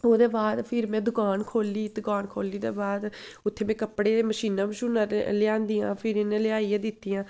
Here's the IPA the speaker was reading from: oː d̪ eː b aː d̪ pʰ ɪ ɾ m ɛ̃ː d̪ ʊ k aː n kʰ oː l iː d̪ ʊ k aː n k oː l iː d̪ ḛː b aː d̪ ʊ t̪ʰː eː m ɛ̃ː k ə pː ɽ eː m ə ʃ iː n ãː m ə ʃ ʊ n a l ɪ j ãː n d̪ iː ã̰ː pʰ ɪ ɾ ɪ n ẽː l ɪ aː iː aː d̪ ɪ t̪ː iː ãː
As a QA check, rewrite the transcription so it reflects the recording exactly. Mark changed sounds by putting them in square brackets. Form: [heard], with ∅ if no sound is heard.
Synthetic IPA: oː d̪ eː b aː d̪ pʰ ɪ ɾ m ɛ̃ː d̪ ʊ k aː n kʰ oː l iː d̪ ʊ k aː n [kʰ] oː l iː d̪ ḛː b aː d̪ ʊ t̪ʰː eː m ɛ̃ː k ə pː ɽ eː m ə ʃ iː n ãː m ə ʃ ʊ n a l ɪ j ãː n d̪ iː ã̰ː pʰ ɪ ɾ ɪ n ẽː l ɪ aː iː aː d̪ ɪ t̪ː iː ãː